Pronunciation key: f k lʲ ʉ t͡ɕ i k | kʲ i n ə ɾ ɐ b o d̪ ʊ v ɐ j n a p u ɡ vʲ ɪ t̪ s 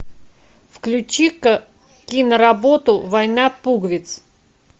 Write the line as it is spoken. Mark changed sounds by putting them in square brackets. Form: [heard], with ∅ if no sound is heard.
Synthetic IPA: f k lʲ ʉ t͡ɕ i k | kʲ i n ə ɾ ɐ b o [t̪] ʊ v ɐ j n a p u ɡ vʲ ɪ t̪ s